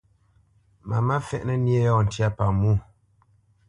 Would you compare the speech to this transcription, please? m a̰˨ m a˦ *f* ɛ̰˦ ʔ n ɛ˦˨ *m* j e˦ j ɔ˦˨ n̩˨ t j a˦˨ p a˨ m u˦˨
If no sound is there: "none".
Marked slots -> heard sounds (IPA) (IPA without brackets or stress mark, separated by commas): f, n